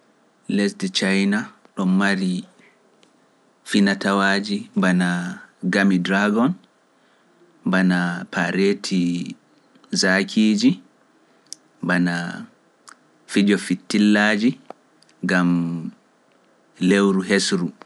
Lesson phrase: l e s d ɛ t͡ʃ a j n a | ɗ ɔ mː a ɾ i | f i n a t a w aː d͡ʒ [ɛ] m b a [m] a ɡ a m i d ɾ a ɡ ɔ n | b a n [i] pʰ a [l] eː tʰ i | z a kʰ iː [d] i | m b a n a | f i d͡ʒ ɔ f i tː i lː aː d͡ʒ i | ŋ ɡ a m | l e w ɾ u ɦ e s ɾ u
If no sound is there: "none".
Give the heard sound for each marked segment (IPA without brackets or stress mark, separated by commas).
i, n, a, ɾ, d͡ʒ